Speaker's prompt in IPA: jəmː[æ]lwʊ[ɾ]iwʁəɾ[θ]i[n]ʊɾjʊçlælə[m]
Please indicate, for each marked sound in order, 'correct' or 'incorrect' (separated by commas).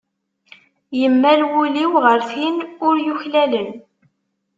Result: correct, incorrect, correct, correct, incorrect